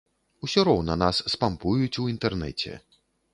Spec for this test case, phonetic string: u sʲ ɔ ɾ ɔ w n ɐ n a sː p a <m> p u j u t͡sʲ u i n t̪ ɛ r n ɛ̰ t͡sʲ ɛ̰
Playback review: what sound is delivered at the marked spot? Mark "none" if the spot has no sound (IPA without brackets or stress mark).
m